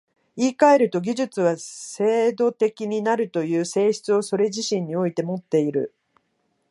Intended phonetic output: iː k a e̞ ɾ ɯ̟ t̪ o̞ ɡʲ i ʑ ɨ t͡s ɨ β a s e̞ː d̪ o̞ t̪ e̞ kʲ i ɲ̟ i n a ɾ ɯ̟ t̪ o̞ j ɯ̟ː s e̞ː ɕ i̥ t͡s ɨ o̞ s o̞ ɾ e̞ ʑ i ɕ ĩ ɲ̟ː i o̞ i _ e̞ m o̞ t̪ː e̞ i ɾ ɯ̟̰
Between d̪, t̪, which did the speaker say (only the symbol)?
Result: t̪